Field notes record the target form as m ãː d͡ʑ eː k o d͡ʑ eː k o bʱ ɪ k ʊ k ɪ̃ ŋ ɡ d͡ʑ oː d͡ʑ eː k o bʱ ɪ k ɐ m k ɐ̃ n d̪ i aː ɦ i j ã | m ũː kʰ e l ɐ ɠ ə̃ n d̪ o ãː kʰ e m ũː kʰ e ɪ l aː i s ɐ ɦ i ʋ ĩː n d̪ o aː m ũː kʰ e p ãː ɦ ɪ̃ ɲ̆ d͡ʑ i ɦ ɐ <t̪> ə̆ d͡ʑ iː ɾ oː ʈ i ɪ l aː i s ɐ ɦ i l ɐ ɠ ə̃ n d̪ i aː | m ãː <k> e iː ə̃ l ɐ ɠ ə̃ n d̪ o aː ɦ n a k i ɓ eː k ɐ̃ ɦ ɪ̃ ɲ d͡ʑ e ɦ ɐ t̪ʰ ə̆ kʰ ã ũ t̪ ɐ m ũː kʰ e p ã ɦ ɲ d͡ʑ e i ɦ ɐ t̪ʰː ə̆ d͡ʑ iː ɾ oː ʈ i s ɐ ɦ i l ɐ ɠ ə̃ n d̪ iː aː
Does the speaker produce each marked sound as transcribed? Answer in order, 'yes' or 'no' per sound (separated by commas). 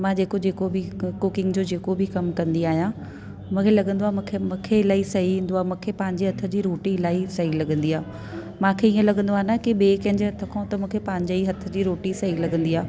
no, no